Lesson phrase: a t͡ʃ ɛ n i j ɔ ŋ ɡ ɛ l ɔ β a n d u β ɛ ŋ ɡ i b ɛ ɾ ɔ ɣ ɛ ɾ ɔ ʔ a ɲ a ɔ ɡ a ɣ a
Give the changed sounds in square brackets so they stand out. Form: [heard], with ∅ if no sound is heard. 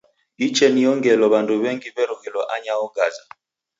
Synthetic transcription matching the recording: [i] t͡ʃ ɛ n i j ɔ ŋ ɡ ɛ l ɔ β a n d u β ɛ ŋ ɡ i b ɛ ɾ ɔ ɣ ɛ [l] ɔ ʔ a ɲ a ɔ ɡ a [z] a